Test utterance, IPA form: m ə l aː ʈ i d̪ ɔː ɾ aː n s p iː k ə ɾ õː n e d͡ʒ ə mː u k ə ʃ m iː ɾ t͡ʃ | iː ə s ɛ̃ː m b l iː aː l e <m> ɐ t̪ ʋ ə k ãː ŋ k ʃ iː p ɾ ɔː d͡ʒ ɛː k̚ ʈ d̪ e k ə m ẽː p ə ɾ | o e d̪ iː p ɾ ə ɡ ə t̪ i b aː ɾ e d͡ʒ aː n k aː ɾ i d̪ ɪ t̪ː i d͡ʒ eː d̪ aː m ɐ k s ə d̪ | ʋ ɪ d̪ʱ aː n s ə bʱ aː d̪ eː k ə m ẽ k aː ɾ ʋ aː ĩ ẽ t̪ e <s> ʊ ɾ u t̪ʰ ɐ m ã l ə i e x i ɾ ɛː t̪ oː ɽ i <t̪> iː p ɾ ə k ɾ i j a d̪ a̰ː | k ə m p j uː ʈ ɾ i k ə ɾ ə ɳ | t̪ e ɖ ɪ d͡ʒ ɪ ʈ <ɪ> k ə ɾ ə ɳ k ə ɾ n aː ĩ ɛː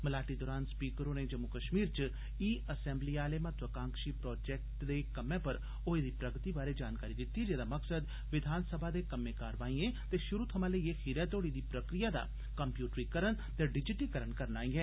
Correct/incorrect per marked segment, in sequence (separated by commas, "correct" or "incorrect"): correct, incorrect, incorrect, incorrect